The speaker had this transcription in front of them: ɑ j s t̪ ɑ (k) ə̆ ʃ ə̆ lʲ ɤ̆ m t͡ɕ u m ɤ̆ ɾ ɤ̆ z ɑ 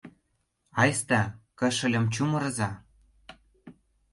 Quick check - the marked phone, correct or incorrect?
correct